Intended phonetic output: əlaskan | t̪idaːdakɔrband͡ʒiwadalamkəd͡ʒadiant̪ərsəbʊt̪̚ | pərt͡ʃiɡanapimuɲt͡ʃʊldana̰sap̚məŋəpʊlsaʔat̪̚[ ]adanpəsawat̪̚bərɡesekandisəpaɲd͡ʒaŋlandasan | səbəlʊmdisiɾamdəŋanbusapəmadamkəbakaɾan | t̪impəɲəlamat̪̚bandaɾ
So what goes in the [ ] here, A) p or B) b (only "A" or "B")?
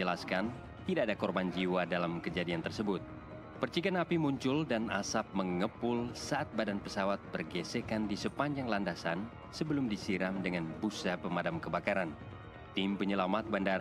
B